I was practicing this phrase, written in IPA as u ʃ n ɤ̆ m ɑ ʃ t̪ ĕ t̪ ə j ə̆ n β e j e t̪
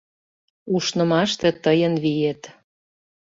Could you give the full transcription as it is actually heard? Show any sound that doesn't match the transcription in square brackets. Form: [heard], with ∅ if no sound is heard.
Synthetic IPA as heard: u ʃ n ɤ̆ m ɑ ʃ t̪ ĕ t̪ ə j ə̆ n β [i] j e t̪